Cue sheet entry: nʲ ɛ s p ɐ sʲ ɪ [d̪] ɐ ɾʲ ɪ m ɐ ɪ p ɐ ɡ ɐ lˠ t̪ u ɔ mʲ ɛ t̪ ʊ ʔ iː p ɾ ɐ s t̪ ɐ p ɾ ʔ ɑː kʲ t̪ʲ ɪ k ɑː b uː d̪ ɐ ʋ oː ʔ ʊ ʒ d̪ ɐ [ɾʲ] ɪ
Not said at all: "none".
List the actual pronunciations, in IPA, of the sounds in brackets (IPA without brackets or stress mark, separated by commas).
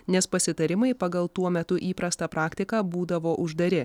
t̪, ɾʲ